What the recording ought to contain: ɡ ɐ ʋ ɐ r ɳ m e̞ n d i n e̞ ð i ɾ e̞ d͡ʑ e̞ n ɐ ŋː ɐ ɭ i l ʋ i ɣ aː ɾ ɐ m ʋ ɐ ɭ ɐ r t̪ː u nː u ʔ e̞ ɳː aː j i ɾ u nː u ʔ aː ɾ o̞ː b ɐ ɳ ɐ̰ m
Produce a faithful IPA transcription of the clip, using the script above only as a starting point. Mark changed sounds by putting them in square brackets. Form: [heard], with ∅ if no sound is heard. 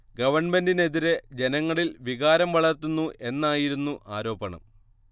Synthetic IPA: ɡ ɐ ʋ ɐ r ɳ m e̞ n d i n e̞ ð i ɾ e̞ d͡ʑ e̞ n ɐ ŋː ɐ ɭ i l ʋ i ɣ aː ɾ ɐ m ʋ ɐ ɭ ɐ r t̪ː u nː u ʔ e̞ [nː] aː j i ɾ u nː u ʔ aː ɾ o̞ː b ɐ ɳ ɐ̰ m